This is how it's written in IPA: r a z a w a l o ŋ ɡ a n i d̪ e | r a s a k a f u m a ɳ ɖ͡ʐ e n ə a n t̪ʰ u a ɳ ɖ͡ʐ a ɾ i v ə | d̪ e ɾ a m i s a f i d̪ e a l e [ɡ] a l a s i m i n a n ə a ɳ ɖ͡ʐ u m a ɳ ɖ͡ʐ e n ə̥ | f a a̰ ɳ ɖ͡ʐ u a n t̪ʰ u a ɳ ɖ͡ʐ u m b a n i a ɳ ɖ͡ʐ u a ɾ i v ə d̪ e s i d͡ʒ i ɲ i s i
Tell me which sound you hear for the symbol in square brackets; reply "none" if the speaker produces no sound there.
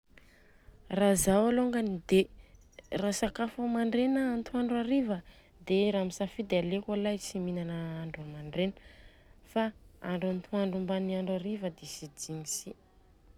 k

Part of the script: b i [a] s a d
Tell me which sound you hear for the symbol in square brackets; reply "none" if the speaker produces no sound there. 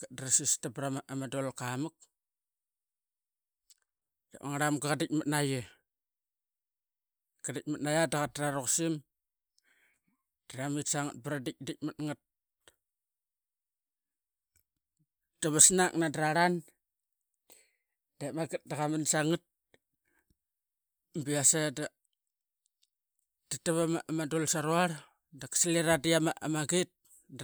a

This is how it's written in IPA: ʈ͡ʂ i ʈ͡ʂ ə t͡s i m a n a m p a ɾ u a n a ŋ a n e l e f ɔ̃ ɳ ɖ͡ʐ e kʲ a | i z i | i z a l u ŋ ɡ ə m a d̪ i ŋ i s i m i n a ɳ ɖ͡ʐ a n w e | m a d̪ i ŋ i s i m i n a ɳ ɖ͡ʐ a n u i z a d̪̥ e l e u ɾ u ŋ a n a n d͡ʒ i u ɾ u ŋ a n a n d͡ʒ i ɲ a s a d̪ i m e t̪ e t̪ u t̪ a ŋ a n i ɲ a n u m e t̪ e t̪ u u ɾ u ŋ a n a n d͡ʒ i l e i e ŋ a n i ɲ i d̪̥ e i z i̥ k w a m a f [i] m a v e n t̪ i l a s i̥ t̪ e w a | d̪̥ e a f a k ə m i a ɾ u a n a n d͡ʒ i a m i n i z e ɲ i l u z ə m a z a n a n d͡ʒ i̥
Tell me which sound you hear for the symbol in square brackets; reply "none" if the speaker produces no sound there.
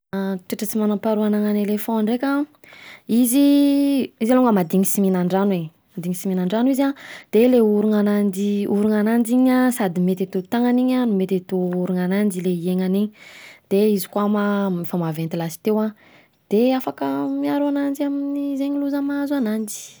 a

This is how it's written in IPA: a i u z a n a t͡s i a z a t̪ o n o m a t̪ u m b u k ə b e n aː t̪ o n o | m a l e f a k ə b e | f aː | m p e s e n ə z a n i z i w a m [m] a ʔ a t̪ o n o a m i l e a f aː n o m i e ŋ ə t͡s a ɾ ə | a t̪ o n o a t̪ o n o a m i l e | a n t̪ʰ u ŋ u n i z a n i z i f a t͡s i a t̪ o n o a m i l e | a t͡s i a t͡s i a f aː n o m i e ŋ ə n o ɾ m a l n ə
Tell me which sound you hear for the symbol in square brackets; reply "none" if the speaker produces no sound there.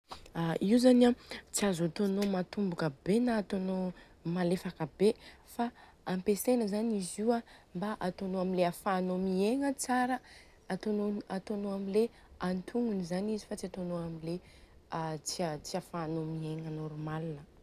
b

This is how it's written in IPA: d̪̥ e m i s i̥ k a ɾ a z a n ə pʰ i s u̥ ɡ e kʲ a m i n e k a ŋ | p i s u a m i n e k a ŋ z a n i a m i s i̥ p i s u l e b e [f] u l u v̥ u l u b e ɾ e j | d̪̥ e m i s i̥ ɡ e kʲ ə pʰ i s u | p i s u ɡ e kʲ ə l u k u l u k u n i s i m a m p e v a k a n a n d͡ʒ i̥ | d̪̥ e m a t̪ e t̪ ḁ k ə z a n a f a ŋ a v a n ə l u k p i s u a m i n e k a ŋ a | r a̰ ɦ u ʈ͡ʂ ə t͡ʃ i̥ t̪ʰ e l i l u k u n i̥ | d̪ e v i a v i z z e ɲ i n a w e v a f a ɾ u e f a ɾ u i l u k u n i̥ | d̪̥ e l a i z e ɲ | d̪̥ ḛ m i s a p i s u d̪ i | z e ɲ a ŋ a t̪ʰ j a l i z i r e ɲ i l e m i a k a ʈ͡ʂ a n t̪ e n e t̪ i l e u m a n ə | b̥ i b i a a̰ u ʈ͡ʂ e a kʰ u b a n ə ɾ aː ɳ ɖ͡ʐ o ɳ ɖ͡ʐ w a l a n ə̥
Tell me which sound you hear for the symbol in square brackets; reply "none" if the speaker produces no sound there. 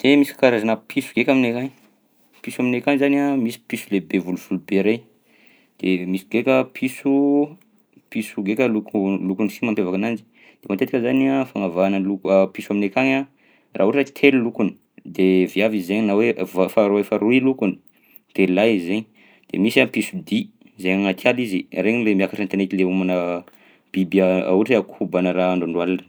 v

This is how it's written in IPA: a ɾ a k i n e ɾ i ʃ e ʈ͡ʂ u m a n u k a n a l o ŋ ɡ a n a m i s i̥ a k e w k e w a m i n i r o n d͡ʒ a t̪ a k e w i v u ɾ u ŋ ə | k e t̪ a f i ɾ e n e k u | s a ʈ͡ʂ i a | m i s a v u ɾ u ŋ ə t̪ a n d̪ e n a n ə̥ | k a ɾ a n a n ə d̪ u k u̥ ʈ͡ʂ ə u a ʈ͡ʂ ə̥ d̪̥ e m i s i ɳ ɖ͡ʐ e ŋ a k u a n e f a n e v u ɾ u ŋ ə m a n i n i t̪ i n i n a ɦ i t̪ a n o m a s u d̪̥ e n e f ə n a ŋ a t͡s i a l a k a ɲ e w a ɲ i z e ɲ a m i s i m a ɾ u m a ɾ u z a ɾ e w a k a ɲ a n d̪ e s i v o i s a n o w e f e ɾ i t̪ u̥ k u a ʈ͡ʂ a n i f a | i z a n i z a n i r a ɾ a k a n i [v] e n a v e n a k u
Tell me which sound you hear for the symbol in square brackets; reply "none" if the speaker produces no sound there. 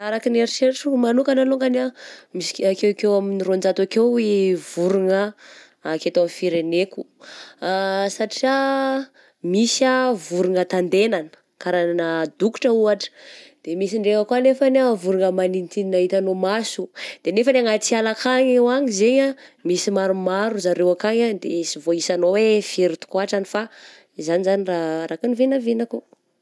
v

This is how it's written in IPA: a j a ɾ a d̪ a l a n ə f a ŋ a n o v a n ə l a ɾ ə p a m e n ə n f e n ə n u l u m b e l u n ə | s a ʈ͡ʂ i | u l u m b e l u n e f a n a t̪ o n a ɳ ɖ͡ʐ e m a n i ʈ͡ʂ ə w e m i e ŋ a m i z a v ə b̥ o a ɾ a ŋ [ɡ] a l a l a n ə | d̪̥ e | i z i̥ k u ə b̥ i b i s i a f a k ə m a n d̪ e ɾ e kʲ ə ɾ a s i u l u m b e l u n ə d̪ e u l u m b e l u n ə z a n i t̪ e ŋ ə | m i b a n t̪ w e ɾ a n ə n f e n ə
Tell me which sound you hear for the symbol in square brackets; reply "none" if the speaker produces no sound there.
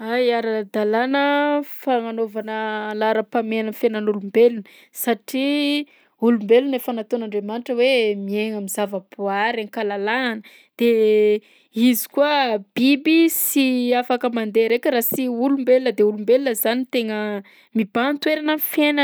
k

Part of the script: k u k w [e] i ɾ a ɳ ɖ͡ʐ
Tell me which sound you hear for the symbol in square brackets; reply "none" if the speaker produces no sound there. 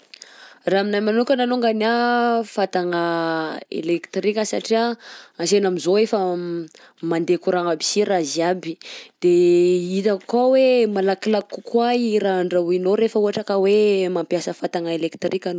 a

